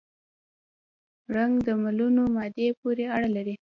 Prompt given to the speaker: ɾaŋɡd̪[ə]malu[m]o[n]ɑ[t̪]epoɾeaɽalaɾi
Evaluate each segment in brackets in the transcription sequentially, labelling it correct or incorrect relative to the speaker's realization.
correct, incorrect, incorrect, incorrect

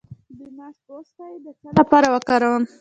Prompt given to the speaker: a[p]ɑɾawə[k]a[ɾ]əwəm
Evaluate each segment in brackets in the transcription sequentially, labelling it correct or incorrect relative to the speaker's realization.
correct, correct, correct

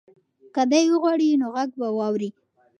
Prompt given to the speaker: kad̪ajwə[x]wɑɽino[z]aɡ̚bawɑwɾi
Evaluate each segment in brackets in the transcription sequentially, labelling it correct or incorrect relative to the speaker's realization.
incorrect, incorrect

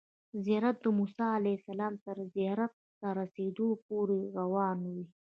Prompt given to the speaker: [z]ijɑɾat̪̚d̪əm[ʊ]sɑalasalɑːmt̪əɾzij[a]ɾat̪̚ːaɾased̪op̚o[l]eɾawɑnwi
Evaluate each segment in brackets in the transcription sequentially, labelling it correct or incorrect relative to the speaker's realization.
correct, incorrect, incorrect, incorrect

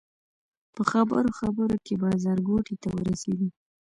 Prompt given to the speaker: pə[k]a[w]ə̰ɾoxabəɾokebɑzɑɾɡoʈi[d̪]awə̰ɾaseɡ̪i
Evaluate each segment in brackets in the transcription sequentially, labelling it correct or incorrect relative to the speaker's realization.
incorrect, incorrect, incorrect

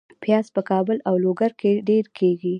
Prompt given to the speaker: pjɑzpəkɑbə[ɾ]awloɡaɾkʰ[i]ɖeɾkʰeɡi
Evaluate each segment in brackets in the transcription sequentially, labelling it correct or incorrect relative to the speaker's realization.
incorrect, incorrect

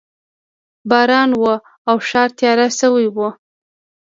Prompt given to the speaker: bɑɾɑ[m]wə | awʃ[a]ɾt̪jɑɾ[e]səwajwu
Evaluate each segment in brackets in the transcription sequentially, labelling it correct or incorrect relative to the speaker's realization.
incorrect, incorrect, incorrect

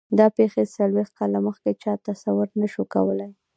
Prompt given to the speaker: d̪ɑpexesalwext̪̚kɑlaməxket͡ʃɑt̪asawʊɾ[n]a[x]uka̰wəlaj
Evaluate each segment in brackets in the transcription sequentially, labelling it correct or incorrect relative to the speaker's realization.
correct, incorrect

